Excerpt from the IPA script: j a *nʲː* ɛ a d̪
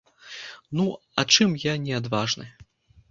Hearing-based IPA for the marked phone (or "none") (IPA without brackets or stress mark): nʲ